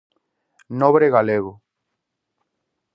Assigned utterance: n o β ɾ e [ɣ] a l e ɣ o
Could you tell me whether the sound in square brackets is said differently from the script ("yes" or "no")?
no